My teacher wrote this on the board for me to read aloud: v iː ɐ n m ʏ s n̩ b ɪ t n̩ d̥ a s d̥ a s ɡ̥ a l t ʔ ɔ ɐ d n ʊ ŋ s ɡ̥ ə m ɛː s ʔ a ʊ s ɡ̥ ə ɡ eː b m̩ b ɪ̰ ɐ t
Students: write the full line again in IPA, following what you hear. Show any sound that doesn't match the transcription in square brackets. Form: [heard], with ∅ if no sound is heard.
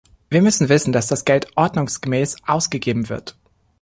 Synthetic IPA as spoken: v iː ɐ [∅] m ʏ s n̩ [v] ɪ [s] n̩ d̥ a s d̥ a s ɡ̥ [ɛ] l t ʔ ɔ ɐ d n ʊ ŋ s ɡ̥ ə m ɛː s ʔ a ʊ s ɡ̥ ə ɡ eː b m̩ [v] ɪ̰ ɐ t